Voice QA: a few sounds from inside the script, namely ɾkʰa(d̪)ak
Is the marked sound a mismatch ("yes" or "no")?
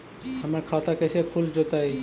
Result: yes